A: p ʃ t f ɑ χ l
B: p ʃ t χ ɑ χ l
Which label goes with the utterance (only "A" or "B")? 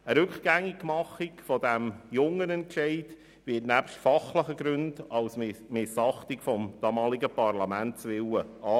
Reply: A